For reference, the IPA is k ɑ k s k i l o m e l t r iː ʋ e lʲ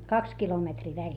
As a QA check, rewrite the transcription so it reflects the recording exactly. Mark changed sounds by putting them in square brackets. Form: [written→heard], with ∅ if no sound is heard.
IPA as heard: k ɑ k s k i l o m e [l→∅] t r iː ʋ [e→æ] lʲ